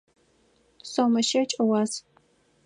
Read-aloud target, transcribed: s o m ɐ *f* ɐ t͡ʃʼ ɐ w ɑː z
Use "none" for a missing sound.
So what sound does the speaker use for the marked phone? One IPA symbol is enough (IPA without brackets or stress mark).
ʃ